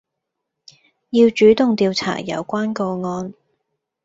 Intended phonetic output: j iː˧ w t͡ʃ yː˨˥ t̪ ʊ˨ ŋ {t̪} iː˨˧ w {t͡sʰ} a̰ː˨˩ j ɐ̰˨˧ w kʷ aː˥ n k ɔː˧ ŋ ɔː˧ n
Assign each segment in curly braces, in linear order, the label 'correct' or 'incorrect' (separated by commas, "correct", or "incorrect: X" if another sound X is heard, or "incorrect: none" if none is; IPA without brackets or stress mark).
correct, correct